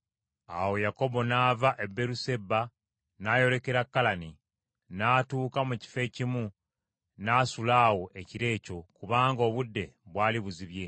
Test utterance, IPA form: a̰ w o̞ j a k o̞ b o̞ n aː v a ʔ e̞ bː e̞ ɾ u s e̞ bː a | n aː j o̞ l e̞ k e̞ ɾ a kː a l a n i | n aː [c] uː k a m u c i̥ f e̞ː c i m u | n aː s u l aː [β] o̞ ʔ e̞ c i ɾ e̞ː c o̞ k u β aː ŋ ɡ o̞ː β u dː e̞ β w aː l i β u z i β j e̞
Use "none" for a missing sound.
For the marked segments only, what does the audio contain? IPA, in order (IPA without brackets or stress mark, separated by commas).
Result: t, w